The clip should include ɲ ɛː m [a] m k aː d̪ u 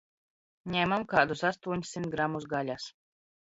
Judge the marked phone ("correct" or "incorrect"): correct